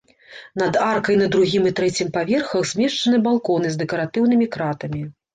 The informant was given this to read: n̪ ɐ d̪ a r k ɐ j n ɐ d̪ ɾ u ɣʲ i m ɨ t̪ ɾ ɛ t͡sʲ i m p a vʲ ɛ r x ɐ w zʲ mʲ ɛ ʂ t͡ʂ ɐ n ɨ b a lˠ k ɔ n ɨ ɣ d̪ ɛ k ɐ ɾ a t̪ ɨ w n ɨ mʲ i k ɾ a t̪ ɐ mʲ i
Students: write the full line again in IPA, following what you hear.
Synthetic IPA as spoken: n̪ ɐ d̪ a r k ɐ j n ɐ d̪ ɾ u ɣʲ i m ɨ t̪ ɾ ɛ t͡sʲ i m p a vʲ ɛ r x ɐ w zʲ mʲ ɛ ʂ t͡ʂ ɐ n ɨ b a lˠ k ɔ n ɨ z d̪ ɛ k ɐ ɾ a t̪ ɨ w n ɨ mʲ i k ɾ a t̪ ɐ mʲ i